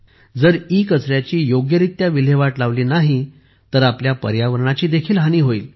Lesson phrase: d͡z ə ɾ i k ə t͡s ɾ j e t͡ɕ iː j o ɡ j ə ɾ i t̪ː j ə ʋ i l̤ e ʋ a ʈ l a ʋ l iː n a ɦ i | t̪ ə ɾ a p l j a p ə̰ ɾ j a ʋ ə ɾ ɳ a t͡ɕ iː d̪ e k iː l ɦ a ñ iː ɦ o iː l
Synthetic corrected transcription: d͡z ə ɾ i k ə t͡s ɾ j a t͡ɕ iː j o ɡ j ə ɾ i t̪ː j a ʋ i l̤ e ʋ a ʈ l a ʋ l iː n a ɦ i | t̪ ə ɾ a p l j a p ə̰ ɾ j a ʋ ə ɾ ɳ a t͡ɕ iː d̪ e kʰ iː l ɦ a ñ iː ɦ o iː l